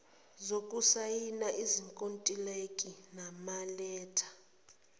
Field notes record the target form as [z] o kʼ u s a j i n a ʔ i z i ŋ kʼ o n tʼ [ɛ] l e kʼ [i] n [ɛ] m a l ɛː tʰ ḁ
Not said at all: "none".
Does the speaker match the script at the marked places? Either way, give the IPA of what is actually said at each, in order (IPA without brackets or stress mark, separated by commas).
z, i, i, a